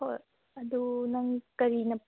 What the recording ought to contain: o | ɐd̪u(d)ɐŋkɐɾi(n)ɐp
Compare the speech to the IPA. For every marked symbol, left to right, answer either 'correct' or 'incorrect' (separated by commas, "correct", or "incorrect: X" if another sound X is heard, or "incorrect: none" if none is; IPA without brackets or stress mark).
incorrect: n, correct